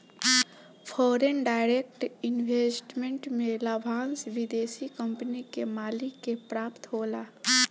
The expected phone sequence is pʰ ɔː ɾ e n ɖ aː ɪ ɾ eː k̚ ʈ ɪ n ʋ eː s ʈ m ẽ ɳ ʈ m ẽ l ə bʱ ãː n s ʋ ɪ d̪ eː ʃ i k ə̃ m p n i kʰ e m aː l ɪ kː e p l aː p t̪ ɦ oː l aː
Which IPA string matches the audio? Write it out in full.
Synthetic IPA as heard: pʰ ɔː ɾ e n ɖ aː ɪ ɾ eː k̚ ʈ ɪ n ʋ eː s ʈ m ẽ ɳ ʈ m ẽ l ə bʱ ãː n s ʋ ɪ d̪ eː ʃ i k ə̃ m p n i k e m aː l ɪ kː e p ɾ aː p t̪ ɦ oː l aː